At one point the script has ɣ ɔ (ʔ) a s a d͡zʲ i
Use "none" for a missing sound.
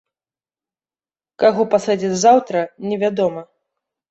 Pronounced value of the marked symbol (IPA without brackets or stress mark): p